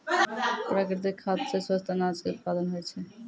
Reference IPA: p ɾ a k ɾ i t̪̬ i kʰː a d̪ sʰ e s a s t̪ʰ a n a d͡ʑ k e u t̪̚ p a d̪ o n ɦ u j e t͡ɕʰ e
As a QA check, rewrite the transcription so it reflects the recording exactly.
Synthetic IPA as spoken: p ɾ a k ɾ i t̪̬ i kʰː a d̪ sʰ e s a s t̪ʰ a n a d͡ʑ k e u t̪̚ p a d̪ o n ɦ o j e t͡ɕʰ e